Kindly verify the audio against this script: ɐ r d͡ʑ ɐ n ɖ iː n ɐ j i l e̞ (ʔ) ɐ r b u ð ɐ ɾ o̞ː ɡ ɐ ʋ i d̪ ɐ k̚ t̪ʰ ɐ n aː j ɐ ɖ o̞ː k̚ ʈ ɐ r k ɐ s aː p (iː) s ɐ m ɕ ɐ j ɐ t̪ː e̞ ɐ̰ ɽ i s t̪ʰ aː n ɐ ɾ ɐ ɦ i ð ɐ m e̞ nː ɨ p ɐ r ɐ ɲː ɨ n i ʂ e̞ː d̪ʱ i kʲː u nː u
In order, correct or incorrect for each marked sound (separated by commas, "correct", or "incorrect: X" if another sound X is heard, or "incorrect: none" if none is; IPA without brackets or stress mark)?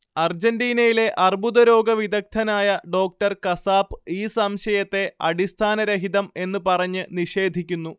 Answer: correct, correct